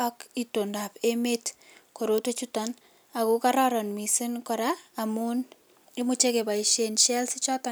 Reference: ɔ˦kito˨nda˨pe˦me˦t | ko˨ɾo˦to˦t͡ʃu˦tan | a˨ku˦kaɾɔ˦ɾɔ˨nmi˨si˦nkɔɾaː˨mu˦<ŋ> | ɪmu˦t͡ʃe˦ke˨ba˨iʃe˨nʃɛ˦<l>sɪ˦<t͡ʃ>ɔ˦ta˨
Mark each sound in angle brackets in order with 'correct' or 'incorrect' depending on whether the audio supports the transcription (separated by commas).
incorrect, correct, correct